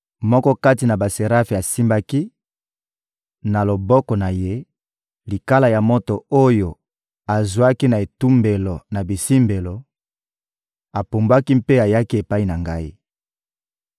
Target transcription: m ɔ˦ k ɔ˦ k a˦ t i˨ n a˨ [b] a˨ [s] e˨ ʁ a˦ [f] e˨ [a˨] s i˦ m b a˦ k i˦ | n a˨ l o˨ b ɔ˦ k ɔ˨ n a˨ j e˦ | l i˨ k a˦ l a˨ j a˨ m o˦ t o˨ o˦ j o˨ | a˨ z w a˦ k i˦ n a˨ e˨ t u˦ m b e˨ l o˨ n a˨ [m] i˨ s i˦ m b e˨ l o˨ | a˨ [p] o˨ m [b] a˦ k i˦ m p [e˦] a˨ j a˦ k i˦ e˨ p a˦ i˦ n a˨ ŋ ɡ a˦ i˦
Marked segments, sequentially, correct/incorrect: correct, correct, correct, correct, incorrect: b, correct, correct, correct

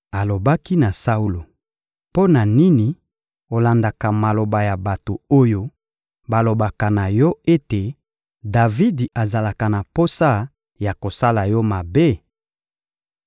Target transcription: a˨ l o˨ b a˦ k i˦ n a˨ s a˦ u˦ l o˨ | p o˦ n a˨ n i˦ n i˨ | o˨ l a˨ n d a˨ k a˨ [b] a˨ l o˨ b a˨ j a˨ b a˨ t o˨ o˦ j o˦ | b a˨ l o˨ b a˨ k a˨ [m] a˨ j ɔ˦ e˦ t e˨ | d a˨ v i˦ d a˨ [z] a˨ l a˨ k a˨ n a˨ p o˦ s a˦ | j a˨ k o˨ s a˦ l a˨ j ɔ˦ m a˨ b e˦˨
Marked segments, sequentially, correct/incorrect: incorrect: m, incorrect: n, correct

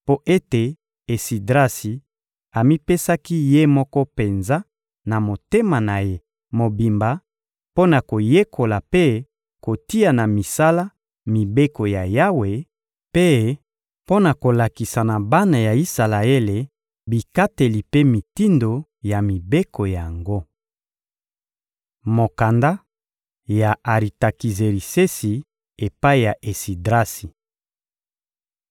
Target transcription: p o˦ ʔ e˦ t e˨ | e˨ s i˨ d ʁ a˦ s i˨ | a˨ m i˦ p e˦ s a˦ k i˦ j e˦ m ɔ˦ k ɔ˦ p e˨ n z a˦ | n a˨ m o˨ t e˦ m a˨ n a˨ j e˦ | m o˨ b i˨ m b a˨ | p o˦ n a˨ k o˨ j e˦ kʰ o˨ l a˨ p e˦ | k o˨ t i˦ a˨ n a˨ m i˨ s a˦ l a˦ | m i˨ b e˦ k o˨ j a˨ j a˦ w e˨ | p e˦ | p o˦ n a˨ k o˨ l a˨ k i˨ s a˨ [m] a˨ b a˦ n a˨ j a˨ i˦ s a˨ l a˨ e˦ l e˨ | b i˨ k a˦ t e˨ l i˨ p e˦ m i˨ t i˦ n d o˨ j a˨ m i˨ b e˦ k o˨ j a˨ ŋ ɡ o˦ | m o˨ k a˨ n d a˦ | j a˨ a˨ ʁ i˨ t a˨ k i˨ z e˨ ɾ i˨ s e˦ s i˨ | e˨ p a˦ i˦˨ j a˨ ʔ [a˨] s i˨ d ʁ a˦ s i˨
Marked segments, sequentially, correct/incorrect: incorrect: n, incorrect: e˨

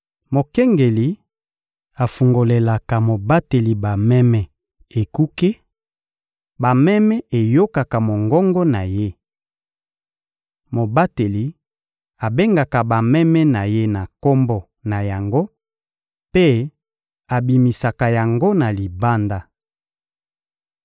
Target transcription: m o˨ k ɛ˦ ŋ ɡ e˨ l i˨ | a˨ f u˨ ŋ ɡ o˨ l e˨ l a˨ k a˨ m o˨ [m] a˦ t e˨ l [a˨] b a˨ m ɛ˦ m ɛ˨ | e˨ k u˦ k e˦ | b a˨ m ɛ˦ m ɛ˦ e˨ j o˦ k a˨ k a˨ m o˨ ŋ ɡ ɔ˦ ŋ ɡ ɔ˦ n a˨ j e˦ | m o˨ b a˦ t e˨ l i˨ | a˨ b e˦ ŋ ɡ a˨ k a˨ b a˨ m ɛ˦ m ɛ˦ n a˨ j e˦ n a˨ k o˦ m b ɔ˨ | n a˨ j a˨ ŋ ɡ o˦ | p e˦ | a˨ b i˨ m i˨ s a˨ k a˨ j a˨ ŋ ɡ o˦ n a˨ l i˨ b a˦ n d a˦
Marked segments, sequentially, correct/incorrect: incorrect: b, incorrect: i˨

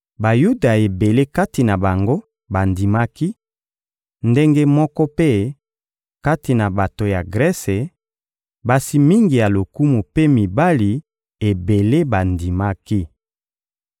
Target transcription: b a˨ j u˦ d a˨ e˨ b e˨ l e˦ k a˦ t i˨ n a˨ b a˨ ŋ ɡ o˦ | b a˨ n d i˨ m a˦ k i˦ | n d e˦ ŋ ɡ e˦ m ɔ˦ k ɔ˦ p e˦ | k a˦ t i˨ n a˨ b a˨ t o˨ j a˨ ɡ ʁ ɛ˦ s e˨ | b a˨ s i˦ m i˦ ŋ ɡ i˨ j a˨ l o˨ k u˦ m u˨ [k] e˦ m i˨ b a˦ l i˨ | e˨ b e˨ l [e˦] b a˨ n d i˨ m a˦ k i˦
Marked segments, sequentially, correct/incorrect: incorrect: p, correct

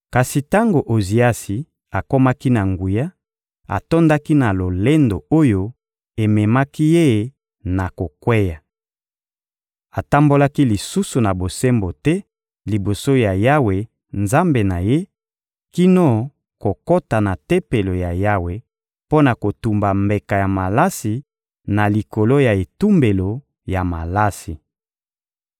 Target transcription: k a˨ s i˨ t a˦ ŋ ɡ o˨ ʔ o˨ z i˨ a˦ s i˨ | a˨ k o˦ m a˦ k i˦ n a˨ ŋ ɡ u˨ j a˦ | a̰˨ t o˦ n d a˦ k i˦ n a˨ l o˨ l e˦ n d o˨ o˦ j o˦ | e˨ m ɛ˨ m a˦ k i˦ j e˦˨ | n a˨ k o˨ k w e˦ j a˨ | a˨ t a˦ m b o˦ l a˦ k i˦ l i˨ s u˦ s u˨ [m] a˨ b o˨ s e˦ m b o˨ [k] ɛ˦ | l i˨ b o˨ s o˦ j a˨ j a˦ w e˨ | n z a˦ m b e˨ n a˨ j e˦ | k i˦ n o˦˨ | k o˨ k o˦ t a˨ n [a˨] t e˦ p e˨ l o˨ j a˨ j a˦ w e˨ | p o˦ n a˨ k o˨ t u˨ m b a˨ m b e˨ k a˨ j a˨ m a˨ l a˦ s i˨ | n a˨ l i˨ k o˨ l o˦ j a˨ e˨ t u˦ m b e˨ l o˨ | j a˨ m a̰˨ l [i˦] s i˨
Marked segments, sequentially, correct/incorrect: incorrect: n, incorrect: t, correct, incorrect: a˦

